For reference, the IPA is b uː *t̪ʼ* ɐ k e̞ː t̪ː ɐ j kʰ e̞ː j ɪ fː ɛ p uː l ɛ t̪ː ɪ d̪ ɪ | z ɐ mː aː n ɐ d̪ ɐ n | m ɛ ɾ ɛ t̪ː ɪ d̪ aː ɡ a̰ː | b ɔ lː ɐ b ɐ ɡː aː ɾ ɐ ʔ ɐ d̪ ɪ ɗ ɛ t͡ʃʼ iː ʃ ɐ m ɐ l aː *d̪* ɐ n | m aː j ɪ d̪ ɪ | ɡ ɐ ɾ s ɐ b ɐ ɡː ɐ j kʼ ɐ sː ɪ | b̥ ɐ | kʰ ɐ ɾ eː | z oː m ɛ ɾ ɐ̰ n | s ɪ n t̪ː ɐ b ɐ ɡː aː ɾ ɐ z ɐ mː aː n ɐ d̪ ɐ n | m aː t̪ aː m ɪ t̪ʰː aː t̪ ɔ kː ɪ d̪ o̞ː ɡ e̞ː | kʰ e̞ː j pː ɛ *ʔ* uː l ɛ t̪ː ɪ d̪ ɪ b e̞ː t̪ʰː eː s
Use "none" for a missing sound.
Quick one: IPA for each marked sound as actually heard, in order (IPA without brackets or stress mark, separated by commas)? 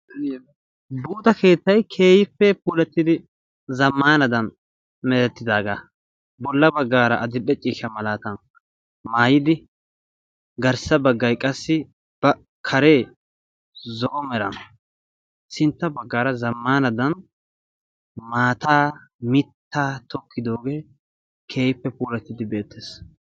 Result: t̪, t̪, p